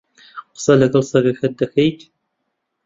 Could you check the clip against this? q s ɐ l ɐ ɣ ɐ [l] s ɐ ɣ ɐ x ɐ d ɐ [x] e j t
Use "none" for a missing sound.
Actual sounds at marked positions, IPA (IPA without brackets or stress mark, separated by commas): l, x